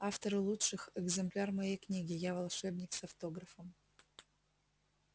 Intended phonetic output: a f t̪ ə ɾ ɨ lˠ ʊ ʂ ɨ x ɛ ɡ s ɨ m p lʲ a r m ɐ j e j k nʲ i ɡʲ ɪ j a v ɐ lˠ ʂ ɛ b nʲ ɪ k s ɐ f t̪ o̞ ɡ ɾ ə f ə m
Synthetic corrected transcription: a f t̪ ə ɾ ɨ lˠ u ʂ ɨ x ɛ ɡ z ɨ m p lʲ a r m ɐ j e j k nʲ i ɡʲ ɪ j a v ɐ lˠ ʂ ɛ b nʲ ɪ k s ɐ f t̪ o̞ ɡ ɾ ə f ə m